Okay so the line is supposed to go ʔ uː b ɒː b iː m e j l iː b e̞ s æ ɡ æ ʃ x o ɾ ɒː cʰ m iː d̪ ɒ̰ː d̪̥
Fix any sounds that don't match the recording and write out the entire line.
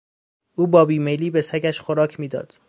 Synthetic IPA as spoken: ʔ uː b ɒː b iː m e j l iː b e̞ s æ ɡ æ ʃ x o ɾ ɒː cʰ m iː d̪ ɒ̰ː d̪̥